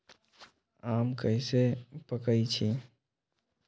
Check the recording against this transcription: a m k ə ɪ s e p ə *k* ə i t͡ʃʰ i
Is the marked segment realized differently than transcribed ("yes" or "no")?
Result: no